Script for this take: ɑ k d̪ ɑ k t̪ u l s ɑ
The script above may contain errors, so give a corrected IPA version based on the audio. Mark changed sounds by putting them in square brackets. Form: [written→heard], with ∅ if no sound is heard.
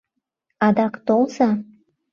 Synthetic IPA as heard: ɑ [k→∅] d̪ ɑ k t̪ [u→o] l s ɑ